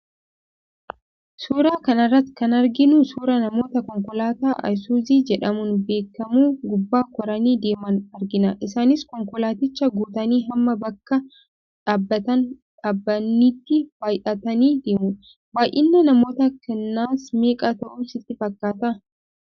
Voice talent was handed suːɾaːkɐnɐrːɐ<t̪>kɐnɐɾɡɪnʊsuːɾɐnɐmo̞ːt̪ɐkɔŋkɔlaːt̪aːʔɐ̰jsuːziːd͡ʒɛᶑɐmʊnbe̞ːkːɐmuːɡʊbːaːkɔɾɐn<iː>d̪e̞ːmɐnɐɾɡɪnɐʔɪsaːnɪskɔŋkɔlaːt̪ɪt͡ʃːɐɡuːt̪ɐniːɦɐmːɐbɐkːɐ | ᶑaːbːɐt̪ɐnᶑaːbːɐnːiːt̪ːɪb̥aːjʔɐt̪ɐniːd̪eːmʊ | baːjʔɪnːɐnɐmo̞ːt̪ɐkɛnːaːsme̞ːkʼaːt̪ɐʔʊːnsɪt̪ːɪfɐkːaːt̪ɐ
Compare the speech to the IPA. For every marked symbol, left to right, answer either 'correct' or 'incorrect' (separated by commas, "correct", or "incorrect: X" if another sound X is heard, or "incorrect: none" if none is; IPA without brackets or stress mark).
correct, correct